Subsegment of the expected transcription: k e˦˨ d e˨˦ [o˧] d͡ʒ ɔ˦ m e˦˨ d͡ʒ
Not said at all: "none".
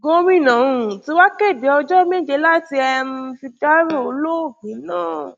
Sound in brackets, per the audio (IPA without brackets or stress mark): ɔ˧